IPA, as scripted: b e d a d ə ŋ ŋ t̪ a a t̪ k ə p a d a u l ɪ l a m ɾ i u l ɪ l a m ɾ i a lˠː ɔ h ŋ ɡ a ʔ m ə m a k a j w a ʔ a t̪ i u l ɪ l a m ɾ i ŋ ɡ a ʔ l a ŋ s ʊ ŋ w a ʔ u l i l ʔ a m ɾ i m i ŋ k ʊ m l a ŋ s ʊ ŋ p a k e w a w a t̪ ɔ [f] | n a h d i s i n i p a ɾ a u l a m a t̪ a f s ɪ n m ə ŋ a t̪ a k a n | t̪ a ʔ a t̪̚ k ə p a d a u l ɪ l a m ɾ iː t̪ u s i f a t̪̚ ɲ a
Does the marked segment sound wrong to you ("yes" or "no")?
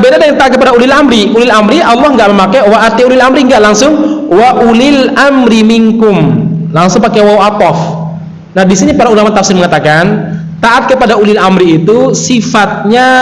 no